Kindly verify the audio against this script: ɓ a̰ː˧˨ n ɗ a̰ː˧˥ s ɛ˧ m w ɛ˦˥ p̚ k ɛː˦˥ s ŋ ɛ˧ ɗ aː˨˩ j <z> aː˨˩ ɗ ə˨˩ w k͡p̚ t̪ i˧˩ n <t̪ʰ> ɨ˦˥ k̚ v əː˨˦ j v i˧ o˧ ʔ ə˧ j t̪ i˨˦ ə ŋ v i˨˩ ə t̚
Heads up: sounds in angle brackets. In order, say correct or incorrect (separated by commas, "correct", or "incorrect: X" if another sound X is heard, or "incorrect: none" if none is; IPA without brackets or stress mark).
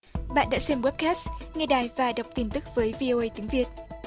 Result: incorrect: v, incorrect: t̪